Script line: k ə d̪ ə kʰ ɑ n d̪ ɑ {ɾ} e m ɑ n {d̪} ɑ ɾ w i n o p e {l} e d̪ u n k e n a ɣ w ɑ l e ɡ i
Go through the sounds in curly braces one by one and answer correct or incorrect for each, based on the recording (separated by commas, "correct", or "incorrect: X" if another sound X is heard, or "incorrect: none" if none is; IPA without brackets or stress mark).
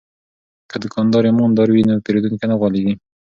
correct, correct, incorrect: ɾ